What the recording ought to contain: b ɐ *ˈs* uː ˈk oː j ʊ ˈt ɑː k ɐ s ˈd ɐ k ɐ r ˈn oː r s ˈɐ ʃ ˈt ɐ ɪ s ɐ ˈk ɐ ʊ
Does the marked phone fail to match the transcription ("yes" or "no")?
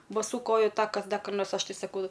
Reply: no